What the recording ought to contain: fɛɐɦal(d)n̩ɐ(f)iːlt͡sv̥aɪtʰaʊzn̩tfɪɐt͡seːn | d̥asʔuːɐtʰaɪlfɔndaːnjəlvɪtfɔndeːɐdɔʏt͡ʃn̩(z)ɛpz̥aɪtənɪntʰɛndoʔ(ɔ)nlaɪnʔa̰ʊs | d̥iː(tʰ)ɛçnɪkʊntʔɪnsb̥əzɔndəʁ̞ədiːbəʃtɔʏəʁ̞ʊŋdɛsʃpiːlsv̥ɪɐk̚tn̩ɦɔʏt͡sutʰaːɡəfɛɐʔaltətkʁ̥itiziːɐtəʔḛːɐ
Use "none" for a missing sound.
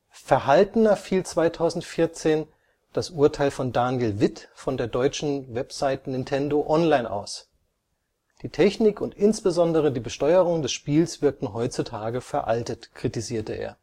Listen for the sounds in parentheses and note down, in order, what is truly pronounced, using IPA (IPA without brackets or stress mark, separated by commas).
t, f, v, ɔ, tʰ